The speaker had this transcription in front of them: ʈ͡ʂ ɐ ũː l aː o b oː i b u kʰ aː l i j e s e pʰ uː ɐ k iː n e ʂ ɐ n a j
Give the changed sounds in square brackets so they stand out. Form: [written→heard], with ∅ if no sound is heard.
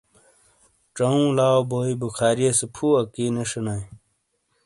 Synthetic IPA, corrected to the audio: ʈ͡ʂ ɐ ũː l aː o b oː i b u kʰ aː [l→ɾ] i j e s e pʰ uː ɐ k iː n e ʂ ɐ n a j